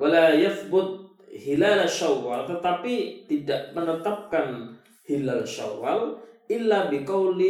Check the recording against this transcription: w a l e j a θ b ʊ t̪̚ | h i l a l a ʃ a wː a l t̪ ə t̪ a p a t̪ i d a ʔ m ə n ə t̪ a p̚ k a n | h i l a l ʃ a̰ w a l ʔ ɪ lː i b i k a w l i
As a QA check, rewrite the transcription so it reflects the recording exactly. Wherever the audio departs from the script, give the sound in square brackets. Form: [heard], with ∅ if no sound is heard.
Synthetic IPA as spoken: w a l [a] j a θ b ʊ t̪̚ | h i l a l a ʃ a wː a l t̪ ə t̪ a p [i] t̪ i d a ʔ m ə n ə t̪ a p̚ k a n | h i l a l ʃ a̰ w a l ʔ ɪ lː [a] b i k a w l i